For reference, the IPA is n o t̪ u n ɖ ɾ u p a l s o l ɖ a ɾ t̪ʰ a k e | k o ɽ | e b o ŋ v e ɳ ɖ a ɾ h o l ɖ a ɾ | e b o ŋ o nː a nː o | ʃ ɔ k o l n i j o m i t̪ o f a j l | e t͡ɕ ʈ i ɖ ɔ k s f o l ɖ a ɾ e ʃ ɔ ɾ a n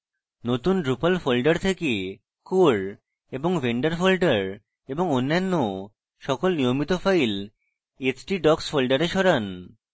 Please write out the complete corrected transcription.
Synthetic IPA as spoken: n o t̪ u n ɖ ɾ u p a l f o l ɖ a ɾ t̪ʰ e k e | k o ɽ | e b o ŋ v e ɳ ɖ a ɾ f o l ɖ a ɾ | e b o ŋ o nː a nː o | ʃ ɔ k o l n i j o m i t̪ o f a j l | e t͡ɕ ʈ i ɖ ɔ k s f o l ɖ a ɾ e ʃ ɔ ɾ a n